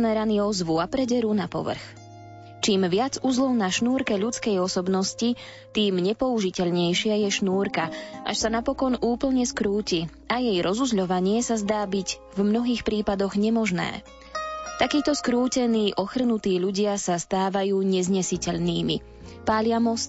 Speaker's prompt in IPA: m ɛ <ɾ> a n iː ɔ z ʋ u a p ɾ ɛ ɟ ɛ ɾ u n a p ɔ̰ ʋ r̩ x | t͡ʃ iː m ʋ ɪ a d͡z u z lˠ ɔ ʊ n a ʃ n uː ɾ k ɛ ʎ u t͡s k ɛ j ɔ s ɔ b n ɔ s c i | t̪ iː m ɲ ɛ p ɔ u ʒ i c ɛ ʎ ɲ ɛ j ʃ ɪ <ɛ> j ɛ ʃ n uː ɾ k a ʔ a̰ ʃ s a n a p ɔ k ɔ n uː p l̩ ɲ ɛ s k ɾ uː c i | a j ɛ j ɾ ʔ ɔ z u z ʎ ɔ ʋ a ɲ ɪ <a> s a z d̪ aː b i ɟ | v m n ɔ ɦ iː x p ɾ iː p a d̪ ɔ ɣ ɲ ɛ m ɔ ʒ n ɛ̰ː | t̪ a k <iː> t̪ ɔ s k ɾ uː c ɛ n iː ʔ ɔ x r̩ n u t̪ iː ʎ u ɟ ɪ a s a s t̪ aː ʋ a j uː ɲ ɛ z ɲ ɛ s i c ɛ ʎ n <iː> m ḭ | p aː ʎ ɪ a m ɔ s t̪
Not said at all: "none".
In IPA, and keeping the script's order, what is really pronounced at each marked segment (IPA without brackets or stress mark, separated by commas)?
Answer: ɾ, a, ɛ, iː, iː